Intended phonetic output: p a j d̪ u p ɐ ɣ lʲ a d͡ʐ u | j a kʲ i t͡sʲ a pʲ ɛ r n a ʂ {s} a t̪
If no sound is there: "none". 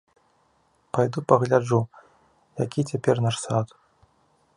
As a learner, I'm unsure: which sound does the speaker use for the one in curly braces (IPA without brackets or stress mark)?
s